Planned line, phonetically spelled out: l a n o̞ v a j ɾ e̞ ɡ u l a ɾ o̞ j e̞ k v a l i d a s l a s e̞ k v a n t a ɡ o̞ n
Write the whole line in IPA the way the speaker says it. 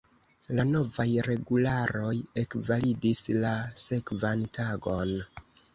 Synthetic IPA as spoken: l a n o̞ v a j ɾ e̞ ɡ u l a ɾ o̞ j e̞ k v a l i d i s l a s e̞ k v a n t a ɡ o̞ n